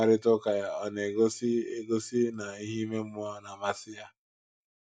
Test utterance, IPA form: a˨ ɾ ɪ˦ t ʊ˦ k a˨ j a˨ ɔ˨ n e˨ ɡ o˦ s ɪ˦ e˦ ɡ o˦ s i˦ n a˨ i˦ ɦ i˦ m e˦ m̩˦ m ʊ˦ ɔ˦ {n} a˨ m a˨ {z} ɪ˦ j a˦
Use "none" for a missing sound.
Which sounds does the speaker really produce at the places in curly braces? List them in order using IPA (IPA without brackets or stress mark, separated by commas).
n, s